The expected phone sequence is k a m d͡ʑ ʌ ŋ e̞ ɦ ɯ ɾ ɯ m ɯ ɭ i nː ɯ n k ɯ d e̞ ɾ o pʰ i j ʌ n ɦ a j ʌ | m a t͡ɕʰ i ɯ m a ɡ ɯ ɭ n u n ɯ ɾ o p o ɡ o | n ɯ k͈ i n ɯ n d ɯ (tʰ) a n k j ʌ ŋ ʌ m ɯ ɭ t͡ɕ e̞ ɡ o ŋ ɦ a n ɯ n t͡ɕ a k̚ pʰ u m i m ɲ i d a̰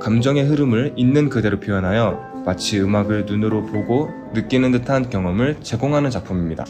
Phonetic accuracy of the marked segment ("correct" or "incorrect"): correct